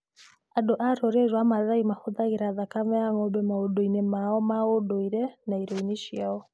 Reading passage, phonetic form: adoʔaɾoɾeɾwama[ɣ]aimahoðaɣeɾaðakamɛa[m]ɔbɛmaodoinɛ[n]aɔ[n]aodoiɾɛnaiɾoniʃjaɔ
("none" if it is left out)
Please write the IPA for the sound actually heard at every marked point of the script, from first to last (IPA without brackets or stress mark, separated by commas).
ð, ŋ, m, m